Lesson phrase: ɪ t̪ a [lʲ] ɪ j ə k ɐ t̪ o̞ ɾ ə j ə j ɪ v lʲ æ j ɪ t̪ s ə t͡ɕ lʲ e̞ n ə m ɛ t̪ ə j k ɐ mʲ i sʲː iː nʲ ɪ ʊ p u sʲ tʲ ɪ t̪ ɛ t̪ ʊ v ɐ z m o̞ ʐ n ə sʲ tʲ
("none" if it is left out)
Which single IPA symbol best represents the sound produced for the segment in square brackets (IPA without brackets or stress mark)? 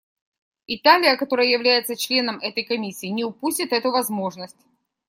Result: lʲ